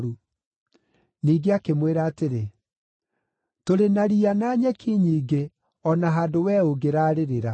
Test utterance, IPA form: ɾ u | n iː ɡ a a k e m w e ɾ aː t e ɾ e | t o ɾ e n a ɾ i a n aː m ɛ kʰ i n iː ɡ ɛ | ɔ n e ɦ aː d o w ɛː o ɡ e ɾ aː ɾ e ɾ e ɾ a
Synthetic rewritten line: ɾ u | n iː ɡ e a k e m w e ɾ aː t e ɾ e | t o ɾ e n a ɾ i a n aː ɲ ɛ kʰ i ɲ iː ɡ e | ɔ n a ɦ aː d o w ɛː o ɡ e ɾ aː ɾ e ɾ e ɾ a

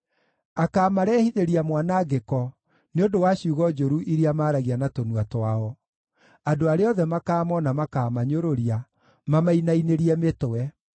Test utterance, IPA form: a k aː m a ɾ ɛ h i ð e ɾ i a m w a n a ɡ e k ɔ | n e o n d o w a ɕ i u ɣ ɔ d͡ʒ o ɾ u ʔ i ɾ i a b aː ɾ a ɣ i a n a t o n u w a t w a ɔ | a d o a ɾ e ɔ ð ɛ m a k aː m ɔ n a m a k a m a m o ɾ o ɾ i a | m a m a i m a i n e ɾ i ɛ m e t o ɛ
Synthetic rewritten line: a k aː m a ɾ ɛ h i ð e ɾ i a m w a n a ɡ e k ɔ | n e o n d o w a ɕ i u ɣ ɔ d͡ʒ o ɾ u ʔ i ɾ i a m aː ɾ a ɣ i a n a t o n u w a t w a ɔ | a d o a ɾ e ɔ ð ɛ m a k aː m ɔ n a m a k a m a ɲ o ɾ o ɾ i a | m a m a i n a i n e ɾ i ɛ m e t o ɛ

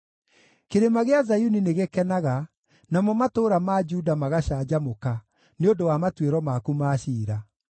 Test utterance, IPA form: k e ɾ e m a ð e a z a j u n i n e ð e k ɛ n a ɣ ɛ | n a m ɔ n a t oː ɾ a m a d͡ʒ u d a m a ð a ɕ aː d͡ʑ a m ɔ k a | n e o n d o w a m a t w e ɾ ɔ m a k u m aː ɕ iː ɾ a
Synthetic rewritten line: k e ɾ e m a ɣ e a z a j u n i n e ɣ e k ɛ n a ɣ a | n a m ɔ m a t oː ɾ a m a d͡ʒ u d a m a ɣ a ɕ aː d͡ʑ a m o k a | n e o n d o w a m a t w e ɾ ɔ m a k u m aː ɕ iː ɾ a

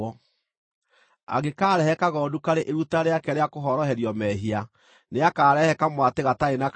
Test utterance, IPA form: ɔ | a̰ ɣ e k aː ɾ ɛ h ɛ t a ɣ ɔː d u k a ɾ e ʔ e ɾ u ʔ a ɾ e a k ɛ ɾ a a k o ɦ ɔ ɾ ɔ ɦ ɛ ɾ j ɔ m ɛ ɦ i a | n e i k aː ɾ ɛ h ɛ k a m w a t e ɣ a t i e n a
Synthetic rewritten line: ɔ | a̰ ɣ e k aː ɾ ɛ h ɛ k a ɣ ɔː d u k a ɾ e ʔ e ɾ u t a ɾ e a k ɛ ɾ e a k o ɦ ɔ ɾ ɔ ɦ ɛ ɾ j ɔ m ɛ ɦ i a | n e a k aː ɾ ɛ h ɛ k a m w a t e ɣ a t a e n a

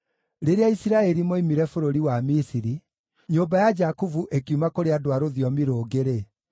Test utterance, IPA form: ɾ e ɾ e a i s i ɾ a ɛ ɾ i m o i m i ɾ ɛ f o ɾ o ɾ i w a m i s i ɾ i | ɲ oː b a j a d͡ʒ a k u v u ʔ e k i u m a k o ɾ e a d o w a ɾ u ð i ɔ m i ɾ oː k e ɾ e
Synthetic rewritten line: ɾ e ɾ e a i s i ɾ a ɛ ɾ i m o i m i ɾ ɛ f o ɾ o ɾ i w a m i s i ɾ i | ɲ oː b a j a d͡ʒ a k u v u ʔ e k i u m a k o ɾ e a d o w a ɾ o ð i ɔ m i ɾ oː ɡ e ɾ e

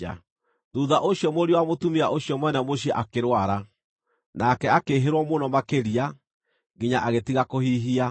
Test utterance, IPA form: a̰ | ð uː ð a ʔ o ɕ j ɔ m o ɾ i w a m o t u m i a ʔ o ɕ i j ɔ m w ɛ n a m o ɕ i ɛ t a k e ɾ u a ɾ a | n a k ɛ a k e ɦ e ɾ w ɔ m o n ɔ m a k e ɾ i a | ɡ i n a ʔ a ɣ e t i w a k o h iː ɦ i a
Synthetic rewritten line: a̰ | ð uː ð a ʔ o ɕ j ɔ m o ɾ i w a m o t u m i a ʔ o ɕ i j ɔ m w ɛ n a m o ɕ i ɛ ʔ a k e ɾ w a ɾ a | n a k ɛ a k e ɦ e ɾ w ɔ m o n ɔ m a k e ɾ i a | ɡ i ɲ a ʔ a ɣ e t i ɣ a k o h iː ɦ i a

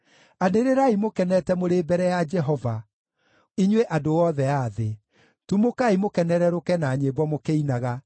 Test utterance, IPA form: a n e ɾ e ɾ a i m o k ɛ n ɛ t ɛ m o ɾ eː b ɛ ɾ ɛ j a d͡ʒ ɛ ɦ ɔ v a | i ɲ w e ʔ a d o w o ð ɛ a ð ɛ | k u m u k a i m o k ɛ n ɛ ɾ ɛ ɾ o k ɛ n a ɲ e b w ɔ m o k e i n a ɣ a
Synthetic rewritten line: a n e ɾ e ɾ a i m o k ɛ n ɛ t ɛ m o ɾ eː b ɛ ɾ ɛ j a d͡ʒ ɛ ɦ ɔ v a | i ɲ w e ʔ a d o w ɔ ð ɛ a ð e | t u m o k a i m o k ɛ n ɛ ɾ ɛ ɾ o k ɛ n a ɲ e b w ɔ m o k e i n a ɣ a

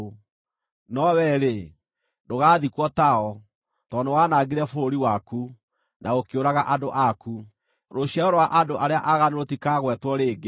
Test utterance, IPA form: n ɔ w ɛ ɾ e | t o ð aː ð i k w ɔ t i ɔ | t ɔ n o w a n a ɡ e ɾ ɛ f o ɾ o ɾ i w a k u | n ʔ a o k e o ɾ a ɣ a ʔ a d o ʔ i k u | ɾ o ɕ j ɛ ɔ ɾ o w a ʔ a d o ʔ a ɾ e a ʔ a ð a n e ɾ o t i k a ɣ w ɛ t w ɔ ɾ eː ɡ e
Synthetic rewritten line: n ɔ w ɛ ɾ e | d o ɣ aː ð i k w ɔ t a ɔ | t ɔ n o w a n a ɡ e ɾ ɛ f o ɾ o ɾ i w a k u | n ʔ a o k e o ɾ a ɣ a ʔ a d o ʔ a k u | ɾ o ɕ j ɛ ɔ ɾ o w a ʔ a d o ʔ a ɾ e a ʔ a ɣ a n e ɾ o t i k a ɣ w ɛ t w ɔ ɾ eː ɡ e

